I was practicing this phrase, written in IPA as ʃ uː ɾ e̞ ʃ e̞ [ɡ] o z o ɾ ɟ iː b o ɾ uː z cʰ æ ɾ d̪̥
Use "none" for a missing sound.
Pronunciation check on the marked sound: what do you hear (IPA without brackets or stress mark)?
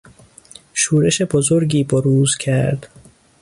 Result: b